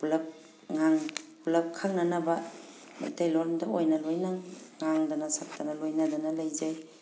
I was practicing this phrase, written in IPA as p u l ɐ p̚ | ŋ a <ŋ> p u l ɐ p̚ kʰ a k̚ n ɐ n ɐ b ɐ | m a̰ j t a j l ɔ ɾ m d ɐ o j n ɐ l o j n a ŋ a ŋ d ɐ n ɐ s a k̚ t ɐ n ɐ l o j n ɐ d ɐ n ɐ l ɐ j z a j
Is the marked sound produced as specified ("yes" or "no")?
yes